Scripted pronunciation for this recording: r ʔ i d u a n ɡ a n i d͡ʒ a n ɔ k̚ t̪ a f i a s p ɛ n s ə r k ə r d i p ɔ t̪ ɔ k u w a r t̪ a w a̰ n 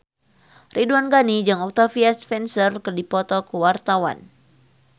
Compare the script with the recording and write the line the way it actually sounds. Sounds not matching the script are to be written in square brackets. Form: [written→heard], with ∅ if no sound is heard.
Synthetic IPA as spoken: r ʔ i d u a n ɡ a n i d͡ʒ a [n→ŋ] ɔ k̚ t̪ a f i a s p ɛ n s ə r k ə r d i p ɔ t̪ ɔ k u w a r t̪ a w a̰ n

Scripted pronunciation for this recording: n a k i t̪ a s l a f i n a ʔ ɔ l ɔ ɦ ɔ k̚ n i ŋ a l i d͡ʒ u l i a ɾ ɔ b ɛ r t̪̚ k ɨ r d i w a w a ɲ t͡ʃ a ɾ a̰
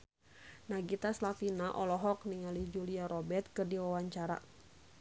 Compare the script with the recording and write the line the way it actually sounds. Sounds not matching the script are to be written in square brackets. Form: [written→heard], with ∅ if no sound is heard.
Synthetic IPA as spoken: n a [k→ɡ] i t̪ a s l a f i n a ʔ ɔ l ɔ ɦ ɔ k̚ n i ŋ a l i d͡ʒ u l i a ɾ ɔ b ɛ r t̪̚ k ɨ r d i w a w a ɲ t͡ʃ a ɾ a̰

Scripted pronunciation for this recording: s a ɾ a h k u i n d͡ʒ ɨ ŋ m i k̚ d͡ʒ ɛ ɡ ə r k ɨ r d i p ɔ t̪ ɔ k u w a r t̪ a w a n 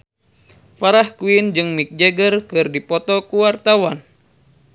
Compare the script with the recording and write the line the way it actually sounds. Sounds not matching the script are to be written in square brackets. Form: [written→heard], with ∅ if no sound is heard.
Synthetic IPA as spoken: [s→f] a ɾ a h k u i n d͡ʒ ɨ ŋ m i k̚ d͡ʒ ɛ ɡ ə r k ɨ r d i p ɔ t̪ ɔ k u w a r t̪ a w a n

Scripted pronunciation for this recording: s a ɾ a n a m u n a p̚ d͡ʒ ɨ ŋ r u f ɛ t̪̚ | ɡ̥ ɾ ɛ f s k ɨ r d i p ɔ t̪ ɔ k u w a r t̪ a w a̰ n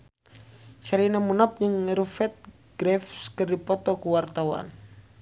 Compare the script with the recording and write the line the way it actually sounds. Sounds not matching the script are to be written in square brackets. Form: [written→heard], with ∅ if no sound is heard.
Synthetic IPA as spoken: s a ɾ [a→i] n a m u n a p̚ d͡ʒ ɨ ŋ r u f ɛ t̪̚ | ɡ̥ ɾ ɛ f s k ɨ r d i p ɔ t̪ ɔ k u w a r t̪ a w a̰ n

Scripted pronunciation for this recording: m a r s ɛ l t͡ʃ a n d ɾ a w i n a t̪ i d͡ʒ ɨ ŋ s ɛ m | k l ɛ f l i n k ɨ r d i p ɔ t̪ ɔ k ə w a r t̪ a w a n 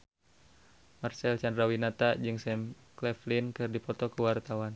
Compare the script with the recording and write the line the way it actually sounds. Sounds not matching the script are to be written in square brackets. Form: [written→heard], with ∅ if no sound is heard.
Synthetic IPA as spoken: m a r s ɛ l t͡ʃ a n d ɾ a w i n a t̪ [i→a] d͡ʒ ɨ ŋ s ɛ m | k l ɛ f l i n k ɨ r d i p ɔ t̪ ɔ k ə w a r t̪ a w a n

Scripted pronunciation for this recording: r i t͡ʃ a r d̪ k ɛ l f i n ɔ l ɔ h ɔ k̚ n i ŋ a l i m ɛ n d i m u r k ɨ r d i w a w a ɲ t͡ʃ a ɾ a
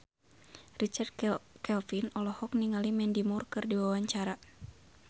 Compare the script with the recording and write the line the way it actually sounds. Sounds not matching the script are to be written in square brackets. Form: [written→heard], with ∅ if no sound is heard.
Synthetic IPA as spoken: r i t͡ʃ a r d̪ k ɛ l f i n ɔ l ɔ h ɔ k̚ n i ŋ a l i m ɛ n d i m u r k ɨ r d i w a w a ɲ t͡ʃ a ɾ a

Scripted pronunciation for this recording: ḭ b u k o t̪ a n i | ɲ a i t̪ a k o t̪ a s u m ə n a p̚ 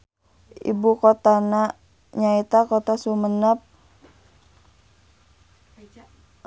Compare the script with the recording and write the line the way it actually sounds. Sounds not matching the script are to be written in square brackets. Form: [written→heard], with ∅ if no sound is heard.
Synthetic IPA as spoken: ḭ b u k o t̪ a n [i→a] | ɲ a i t̪ a k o t̪ a s u m ə n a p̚

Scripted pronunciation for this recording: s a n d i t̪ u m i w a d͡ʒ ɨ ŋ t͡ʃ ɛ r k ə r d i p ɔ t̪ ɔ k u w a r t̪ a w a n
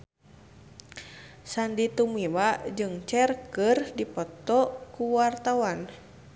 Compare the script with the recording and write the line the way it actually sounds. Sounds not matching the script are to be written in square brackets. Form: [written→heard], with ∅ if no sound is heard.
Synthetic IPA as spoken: s a n d i t̪ u m i w a d͡ʒ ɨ ŋ t͡ʃ ɛ r k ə r d i p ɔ t̪ ɔ k u w a r t̪ a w a n

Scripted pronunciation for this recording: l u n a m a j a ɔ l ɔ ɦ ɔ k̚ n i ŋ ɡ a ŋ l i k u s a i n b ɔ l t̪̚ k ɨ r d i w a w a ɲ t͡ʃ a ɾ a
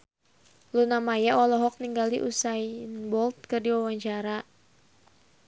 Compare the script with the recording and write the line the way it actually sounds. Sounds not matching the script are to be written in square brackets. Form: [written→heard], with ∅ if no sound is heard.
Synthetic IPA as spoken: l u n a m a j a ɔ l ɔ ɦ ɔ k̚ n i ŋ ɡ a [ŋ→∅] l i [k→ʔ] u s a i n b ɔ l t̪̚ k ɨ r d i w a w a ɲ t͡ʃ a ɾ a

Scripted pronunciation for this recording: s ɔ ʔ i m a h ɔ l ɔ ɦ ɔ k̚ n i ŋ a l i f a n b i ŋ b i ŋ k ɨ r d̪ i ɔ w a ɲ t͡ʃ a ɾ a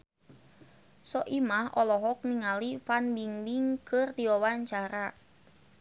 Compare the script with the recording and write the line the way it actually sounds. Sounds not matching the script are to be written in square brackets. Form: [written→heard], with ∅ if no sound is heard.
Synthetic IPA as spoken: s ɔ ʔ i m a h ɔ l ɔ ɦ ɔ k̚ n i ŋ a l i f a n b i ŋ b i ŋ k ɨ r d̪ i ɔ w a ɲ t͡ʃ a ɾ a

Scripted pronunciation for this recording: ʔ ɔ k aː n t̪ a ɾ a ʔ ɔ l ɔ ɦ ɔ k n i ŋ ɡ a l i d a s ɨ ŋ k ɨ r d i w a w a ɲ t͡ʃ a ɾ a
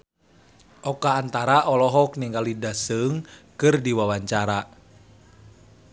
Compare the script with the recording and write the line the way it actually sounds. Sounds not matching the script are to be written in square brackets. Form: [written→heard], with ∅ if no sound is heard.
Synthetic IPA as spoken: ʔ ɔ k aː n t̪ a ɾ a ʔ ɔ l ɔ ɦ ɔ k n i ŋ ɡ a l i d a s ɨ ŋ k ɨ r d i w a w a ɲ t͡ʃ a ɾ a

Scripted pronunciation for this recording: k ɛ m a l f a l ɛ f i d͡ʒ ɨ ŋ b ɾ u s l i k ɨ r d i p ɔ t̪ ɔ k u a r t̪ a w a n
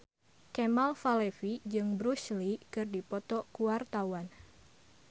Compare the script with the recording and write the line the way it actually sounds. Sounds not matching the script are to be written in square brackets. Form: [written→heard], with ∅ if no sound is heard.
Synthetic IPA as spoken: k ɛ m a l f a l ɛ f i d͡ʒ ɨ ŋ b ɾ u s l i k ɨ r d i p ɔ t̪ ɔ k u a r t̪ a w a n

